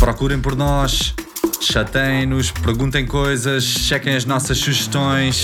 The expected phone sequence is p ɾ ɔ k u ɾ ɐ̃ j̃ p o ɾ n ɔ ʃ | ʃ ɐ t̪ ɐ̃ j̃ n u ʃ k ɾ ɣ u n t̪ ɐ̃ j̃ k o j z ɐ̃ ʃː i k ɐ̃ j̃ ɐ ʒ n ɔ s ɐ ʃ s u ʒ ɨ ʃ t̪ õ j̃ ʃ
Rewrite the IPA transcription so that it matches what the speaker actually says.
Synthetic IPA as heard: p ɾ ɔ k u ɾ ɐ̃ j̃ p ɔ ɾ n ɔ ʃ | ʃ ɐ t̪ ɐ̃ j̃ n u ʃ p ɾ ɣ ũ n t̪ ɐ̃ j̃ k o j z ɐ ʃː ɛ k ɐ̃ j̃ ɐ ʒ n ɔ s ɐ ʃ s u ʒ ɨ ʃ t̪ õ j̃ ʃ